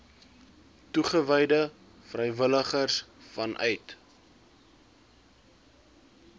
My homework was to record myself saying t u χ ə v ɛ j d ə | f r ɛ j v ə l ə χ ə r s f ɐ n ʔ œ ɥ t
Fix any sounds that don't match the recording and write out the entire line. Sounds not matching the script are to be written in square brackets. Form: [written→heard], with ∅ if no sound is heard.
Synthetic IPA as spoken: t u χ ə v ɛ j d ə | f r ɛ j v ə l ə χ ə r s f ɐ n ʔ œ ɥ t

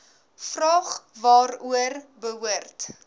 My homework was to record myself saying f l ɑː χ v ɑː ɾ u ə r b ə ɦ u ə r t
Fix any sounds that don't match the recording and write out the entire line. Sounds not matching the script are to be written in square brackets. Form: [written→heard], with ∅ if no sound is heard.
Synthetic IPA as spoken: f [l→r] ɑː χ v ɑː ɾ u ə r b ə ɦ u ə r t

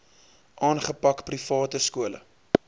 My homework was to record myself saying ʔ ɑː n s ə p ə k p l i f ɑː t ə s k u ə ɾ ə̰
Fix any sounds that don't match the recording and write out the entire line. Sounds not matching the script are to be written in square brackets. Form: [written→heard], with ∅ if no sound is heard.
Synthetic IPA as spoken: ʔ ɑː n [s→χ] ə p [ə→ɐ] k p [l→r] i f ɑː t ə s k u ə [ɾ→l] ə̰

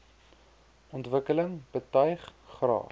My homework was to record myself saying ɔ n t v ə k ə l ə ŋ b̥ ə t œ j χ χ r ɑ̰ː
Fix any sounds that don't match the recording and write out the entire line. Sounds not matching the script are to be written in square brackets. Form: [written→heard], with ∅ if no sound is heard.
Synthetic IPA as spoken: ɔ n t v ə k ə l ə ŋ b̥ ə t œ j χ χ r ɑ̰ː

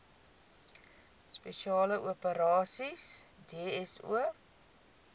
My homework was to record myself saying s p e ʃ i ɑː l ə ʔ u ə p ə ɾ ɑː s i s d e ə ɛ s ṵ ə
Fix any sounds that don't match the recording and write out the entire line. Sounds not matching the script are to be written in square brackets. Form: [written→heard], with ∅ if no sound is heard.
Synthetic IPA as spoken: s p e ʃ i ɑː l ə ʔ u ə p ə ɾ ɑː s i s d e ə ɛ s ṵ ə

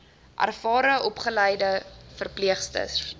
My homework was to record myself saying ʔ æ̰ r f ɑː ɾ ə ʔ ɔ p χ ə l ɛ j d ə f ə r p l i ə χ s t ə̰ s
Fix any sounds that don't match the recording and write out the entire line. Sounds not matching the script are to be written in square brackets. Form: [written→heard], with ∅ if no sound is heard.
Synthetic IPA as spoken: ʔ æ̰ r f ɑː ɾ ə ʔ ɔ p χ ə l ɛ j d ə f ə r p l i ə χ s t ə̰ s

